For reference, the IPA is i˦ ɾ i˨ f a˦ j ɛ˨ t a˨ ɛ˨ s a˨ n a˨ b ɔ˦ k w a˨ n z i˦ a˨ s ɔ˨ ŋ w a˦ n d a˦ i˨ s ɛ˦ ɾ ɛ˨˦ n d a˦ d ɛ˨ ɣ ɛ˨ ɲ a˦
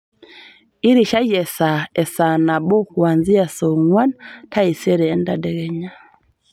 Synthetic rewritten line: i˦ ɾ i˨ ʃ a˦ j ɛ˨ s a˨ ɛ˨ s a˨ n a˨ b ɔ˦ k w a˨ n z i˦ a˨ s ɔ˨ ŋ w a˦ n t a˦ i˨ s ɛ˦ ɾ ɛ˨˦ n d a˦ d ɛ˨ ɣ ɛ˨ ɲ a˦